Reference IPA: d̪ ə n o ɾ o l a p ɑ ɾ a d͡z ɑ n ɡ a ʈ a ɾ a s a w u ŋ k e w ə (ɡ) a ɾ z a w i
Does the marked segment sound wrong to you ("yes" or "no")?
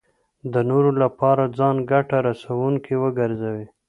no